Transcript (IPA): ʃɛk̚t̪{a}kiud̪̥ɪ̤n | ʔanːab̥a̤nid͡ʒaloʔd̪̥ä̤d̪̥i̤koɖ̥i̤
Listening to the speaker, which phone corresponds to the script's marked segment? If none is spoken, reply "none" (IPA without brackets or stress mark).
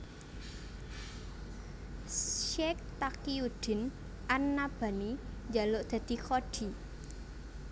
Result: a